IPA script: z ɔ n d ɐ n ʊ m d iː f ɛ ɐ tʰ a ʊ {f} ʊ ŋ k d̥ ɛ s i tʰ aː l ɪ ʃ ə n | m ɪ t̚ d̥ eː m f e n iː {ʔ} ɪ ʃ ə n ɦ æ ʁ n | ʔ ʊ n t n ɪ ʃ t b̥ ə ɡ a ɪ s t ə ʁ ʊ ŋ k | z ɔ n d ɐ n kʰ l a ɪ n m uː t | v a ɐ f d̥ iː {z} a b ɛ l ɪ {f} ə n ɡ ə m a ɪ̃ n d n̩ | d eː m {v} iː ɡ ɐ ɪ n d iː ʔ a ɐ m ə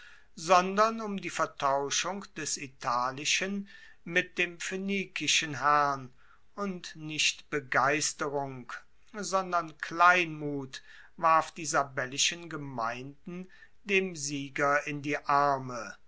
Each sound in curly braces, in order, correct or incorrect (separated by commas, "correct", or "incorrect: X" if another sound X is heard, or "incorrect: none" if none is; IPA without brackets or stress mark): incorrect: ʃ, incorrect: k, correct, incorrect: ʃ, incorrect: z